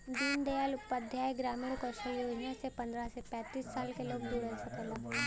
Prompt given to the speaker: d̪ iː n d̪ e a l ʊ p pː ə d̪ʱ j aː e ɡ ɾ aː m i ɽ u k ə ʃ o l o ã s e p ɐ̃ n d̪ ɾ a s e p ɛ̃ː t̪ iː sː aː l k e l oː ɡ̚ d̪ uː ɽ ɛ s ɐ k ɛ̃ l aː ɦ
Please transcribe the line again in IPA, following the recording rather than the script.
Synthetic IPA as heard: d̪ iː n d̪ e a l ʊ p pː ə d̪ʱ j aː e ɡ ɾ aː m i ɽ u k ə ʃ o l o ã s e p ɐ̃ n d̪ ɾ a s e p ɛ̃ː t̪ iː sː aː l k e l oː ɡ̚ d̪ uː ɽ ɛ s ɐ k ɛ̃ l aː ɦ